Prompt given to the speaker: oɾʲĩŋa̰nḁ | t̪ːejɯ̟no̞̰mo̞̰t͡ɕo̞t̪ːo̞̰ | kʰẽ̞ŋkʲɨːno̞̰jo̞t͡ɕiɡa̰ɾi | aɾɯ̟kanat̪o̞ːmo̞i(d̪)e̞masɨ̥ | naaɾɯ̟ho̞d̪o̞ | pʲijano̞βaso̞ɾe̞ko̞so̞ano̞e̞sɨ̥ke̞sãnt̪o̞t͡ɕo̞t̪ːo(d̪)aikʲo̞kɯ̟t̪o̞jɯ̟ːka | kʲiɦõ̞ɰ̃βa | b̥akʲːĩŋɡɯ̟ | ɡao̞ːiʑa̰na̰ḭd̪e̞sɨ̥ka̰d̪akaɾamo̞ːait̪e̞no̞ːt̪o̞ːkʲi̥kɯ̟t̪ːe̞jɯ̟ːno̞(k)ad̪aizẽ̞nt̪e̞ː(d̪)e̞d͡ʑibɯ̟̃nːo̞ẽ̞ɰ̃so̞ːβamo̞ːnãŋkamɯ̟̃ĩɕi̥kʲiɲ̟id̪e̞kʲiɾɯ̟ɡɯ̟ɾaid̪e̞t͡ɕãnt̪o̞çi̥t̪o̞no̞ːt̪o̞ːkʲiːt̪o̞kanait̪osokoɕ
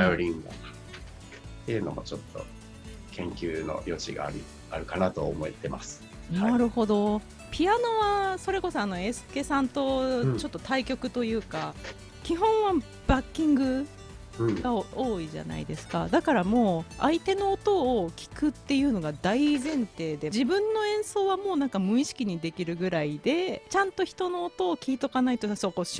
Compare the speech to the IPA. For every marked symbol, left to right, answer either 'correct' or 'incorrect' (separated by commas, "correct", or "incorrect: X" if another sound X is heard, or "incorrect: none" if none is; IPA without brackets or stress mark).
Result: incorrect: t̪, incorrect: t̪, incorrect: ɡ, correct